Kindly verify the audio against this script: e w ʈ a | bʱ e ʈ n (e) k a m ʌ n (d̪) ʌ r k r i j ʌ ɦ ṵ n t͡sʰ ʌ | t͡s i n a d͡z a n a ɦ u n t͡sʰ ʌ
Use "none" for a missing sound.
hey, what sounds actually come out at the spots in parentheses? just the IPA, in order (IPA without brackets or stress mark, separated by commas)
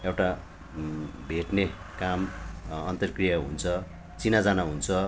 e, t̪